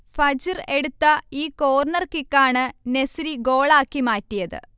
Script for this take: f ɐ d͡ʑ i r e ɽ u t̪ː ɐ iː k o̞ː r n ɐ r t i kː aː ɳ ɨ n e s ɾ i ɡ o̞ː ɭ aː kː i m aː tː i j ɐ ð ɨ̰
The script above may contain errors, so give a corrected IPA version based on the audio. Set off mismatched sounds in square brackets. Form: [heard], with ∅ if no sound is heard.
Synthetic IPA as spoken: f ɐ d͡ʑ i r e ɽ u t̪ː ɐ iː k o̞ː r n ɐ r [k] i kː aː ɳ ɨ n e s ɾ i ɡ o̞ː ɭ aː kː i m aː tː i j ɐ ð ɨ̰